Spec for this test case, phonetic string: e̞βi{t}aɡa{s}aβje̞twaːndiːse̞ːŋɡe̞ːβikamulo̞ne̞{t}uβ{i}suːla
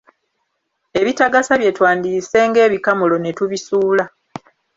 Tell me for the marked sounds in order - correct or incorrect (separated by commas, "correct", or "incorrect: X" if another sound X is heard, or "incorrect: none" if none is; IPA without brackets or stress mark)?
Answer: correct, correct, correct, correct